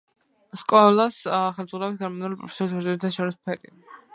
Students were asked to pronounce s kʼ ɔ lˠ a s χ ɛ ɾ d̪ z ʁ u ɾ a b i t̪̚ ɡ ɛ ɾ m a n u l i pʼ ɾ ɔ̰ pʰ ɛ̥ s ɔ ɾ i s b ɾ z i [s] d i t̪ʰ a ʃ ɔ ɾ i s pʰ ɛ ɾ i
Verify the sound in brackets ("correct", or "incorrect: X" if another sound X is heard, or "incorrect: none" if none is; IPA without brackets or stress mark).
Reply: incorrect: none